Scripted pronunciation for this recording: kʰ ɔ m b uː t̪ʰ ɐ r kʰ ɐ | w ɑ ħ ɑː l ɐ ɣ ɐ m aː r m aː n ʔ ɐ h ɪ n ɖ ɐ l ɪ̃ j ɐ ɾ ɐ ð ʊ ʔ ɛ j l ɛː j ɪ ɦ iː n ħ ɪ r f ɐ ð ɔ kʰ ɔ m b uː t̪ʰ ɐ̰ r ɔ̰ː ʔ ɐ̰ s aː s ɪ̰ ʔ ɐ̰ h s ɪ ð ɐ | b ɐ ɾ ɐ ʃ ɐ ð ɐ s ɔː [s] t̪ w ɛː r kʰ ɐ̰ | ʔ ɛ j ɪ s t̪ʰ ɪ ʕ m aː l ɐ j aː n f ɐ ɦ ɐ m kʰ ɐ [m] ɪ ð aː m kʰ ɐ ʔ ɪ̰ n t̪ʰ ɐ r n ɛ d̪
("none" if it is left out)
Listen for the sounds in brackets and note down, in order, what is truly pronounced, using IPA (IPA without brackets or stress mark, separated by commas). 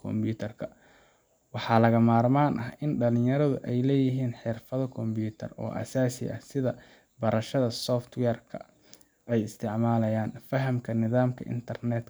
f, n